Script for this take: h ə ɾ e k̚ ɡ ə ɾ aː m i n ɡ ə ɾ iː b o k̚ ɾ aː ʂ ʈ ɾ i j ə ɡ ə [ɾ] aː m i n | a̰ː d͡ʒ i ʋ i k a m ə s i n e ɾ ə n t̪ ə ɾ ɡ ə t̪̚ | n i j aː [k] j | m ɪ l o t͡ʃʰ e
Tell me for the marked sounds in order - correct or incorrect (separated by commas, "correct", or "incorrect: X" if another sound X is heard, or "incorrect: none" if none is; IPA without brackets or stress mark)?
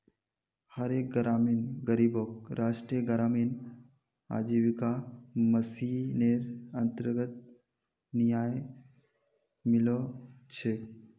correct, incorrect: none